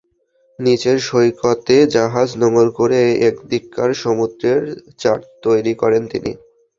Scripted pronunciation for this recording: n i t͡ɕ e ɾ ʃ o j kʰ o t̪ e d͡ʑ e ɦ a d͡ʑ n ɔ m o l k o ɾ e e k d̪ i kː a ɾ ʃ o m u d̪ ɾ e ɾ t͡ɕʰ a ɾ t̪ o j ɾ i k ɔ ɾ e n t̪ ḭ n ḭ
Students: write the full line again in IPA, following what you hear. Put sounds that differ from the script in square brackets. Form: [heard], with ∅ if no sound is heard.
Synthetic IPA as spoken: n i t͡ɕ e ɾ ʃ o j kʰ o t̪ e d͡ʑ [a] ɦ a d͡ʑ n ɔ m o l k o ɾ e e k d̪ i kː a ɾ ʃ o m u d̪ ɾ e ɾ [t͡ɕ] a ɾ t̪ o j ɾ i k ɔ ɾ e n t̪ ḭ n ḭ